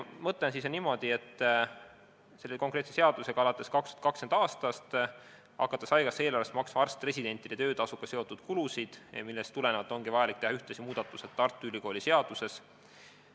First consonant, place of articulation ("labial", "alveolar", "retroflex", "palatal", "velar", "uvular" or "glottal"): labial